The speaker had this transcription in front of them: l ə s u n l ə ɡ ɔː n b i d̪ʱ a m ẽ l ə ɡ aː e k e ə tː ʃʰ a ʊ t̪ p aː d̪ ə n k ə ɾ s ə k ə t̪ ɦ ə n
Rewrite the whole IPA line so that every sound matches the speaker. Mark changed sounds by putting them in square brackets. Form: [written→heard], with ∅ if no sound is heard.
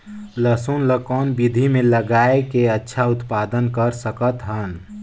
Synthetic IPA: l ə s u n l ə [ɡ→k] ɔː n b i d̪ʱ [a→i] m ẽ l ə ɡ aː e k e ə tː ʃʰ a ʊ t̪ p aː d̪ ə n k ə ɾ s ə k ə t̪ ɦ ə n